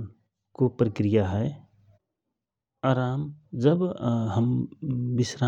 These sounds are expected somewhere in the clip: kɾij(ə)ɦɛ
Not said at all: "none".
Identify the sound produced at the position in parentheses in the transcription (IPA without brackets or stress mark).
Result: a